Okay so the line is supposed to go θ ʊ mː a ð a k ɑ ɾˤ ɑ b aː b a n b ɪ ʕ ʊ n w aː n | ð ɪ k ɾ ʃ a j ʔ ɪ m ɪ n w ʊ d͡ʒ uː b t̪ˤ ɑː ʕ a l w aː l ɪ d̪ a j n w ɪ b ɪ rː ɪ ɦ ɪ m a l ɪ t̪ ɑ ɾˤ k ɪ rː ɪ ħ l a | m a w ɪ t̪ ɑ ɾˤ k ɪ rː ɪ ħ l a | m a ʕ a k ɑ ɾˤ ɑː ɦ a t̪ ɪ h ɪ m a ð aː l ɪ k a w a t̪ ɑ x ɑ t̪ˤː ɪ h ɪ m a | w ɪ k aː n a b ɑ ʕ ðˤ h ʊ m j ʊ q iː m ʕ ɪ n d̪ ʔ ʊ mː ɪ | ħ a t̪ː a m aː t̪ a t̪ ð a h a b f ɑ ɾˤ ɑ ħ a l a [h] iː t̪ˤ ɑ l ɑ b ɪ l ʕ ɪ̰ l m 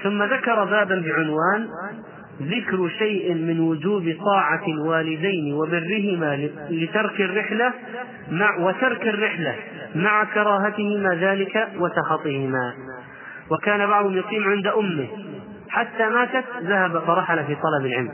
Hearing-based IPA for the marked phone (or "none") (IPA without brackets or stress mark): f